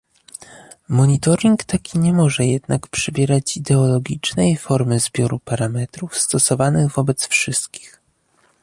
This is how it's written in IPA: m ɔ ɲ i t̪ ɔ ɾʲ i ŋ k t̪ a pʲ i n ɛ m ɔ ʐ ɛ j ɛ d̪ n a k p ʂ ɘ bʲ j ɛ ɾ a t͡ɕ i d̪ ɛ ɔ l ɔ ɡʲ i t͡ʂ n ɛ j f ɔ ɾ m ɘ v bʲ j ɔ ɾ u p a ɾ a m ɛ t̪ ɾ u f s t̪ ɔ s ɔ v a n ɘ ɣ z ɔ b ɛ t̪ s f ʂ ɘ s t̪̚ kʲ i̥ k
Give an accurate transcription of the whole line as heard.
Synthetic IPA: m ɔ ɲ i t̪ ɔ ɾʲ i ŋ k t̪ a kʲ i ɲ ɛ m ɔ ʐ ɛ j ɛ d̪ n a k p ʂ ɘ bʲ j ɛ ɾ a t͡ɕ i d̪ ɛ ɔ l ɔ ɡʲ i t͡ʂ n ɛ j f ɔ ɾ m ɘ z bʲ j ɔ ɾ u p a ɾ a m ɛ t̪ ɾ u f s t̪ ɔ s ɔ v a n ɘ ɣ v ɔ b ɛ t̪ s f ʂ ɘ s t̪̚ kʲ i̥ x

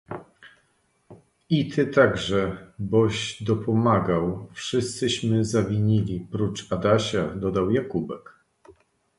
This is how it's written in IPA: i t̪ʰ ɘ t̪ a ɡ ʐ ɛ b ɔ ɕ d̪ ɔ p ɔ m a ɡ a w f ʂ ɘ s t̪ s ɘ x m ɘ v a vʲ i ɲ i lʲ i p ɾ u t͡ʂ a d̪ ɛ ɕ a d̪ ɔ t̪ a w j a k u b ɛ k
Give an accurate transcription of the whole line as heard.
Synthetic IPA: i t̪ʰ ɘ t̪ a ɡ ʐ ɛ b ɔ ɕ d̪ ɔ p ɔ m a ɡ a w f ʂ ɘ s t̪ s ɘ ɕ m ɘ z a vʲ i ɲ i lʲ i p ɾ u t͡ʂ a d̪ a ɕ a d̪ ɔ d̪ a w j a k u b ɛ k

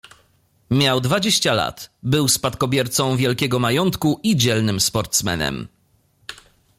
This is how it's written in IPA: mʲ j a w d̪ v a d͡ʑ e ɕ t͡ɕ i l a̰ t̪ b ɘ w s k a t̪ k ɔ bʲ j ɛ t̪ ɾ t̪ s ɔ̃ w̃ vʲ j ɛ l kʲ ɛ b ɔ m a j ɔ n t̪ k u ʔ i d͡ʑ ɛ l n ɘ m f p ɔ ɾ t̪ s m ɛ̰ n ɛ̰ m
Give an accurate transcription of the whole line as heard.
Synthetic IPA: mʲ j a w d̪ v a d͡ʑ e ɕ t͡ɕ a l a̰ t̪ b ɘ w s p a t̪ k ɔ bʲ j ɛ ɾ t̪ s ɔ̃ w̃ vʲ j ɛ l kʲ ɛ ɡ ɔ m a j ɔ n t̪ k u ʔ i d͡ʑ ɛ l n ɘ m s p ɔ ɾ t̪ s m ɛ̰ n ɛ̰ m

